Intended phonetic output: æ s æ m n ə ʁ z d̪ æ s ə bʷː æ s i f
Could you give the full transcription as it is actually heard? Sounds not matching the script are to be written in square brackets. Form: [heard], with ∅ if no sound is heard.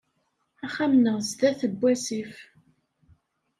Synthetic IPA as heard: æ [χ] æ m n ə ʁ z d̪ æ [θ] ə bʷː æ s i f